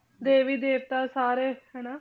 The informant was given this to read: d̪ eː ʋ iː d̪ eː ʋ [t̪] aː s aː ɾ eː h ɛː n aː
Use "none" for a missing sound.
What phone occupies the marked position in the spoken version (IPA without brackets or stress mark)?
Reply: t̪